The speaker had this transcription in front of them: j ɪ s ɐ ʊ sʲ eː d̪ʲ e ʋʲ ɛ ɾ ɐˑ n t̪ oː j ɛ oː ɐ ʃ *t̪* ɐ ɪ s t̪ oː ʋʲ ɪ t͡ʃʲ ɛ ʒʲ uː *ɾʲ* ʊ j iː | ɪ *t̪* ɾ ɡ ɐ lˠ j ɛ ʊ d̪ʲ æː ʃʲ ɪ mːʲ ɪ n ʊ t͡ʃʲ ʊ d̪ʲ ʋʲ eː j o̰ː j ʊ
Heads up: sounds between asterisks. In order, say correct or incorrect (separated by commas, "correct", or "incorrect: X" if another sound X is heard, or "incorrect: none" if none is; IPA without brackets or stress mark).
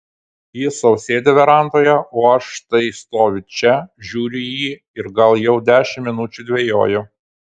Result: correct, correct, incorrect: none